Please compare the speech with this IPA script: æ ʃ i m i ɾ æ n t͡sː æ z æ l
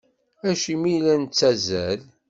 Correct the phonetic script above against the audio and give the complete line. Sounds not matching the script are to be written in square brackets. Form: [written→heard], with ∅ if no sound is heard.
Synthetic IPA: æ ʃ i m i [ɾ→l] æ n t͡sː æ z æ l